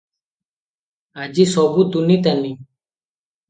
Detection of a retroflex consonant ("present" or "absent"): absent